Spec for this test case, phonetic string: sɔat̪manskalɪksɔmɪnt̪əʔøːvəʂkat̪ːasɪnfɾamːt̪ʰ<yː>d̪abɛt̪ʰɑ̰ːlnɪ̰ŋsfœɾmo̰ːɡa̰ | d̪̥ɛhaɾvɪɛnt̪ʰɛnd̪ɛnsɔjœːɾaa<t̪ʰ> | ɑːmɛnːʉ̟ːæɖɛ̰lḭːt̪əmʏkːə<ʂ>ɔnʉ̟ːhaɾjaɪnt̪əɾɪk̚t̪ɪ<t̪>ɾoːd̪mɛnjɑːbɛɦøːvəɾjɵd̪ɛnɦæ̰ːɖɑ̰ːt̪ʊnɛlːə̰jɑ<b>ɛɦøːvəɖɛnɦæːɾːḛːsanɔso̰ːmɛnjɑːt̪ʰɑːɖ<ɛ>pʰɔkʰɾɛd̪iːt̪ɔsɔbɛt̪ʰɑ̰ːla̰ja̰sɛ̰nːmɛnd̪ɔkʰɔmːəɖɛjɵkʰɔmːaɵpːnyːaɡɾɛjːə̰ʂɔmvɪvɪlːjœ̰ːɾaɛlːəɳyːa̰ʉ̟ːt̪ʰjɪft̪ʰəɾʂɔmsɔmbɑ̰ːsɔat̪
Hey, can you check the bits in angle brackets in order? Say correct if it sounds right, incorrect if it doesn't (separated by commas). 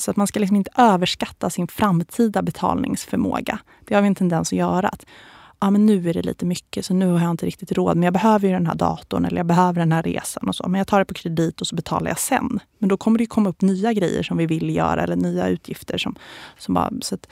incorrect, incorrect, incorrect, correct, correct, correct